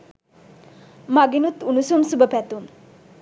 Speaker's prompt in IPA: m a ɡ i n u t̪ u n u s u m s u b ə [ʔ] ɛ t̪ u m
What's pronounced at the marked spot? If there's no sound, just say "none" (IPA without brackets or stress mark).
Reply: p